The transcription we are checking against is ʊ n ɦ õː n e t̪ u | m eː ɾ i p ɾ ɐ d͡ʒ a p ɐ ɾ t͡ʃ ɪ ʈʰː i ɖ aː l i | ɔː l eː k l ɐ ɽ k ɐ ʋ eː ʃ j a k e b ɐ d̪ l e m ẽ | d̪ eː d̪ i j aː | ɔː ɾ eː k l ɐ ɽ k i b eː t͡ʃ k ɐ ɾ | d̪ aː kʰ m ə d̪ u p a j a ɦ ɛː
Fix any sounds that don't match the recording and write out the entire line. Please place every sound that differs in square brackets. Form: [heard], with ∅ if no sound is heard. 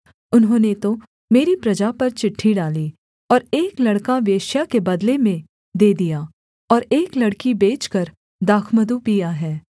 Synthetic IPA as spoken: ʊ n ɦ õː n e t̪ [o] | m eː ɾ i p ɾ ɐ d͡ʒ a p ɐ ɾ t͡ʃ ɪ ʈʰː i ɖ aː l i | ɔː [ɾ] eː k l ɐ ɽ k [a] ʋ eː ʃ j a k e b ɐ d̪ l e m ẽ | d̪ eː d̪ i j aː | ɔː ɾ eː k l ɐ ɽ k i b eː t͡ʃ k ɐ ɾ | d̪ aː kʰ m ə d̪ u p [i] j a ɦ ɛː